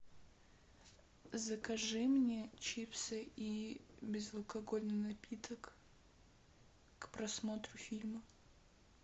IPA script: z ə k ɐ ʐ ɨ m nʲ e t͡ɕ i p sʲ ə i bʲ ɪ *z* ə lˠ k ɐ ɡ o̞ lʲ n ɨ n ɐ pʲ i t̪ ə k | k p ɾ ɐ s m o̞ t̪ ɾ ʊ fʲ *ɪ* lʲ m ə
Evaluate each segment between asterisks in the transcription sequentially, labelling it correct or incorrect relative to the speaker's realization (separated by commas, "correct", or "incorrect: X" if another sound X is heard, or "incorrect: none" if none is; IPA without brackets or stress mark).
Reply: correct, incorrect: i